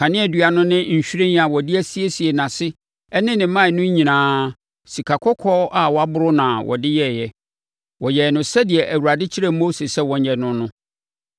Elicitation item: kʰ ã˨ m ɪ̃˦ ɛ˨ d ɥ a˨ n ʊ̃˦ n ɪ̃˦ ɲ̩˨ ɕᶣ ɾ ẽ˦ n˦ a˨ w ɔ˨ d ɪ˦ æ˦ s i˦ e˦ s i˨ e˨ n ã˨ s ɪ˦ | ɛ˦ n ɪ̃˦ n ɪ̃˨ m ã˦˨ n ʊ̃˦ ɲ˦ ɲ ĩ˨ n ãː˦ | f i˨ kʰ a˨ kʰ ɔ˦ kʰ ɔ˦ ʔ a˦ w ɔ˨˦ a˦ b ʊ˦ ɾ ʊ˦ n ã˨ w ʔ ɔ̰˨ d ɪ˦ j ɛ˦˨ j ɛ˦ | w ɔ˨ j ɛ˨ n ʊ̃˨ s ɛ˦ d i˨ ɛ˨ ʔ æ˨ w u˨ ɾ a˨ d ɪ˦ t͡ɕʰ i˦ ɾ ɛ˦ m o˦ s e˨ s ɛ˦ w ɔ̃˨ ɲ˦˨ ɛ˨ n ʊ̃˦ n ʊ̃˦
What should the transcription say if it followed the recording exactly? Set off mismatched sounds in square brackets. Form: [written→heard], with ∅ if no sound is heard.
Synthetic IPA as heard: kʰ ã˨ [m→n] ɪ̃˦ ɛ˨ d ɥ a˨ n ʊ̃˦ n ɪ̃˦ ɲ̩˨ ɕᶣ ɾ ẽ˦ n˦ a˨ w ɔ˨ d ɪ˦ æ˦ s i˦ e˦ s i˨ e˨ n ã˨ s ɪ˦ | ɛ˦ n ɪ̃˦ n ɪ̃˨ m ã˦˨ n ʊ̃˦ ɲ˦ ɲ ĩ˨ n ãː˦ | [f→s] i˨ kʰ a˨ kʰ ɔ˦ kʰ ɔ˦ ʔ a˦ w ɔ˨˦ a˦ b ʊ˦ ɾ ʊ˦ n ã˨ w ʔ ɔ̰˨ d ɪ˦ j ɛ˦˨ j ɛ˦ | w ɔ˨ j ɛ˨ n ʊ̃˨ s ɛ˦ d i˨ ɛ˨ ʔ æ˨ w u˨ ɾ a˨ d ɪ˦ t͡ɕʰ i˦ ɾ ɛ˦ m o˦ s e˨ s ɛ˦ w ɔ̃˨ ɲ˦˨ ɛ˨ n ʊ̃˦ n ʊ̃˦